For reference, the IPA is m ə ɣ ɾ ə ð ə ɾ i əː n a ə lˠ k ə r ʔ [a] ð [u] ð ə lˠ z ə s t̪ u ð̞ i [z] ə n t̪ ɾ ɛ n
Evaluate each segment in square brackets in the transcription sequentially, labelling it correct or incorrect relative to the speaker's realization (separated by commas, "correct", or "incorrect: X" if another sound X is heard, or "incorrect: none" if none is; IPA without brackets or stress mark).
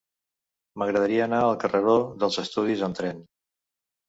incorrect: ə, incorrect: o, correct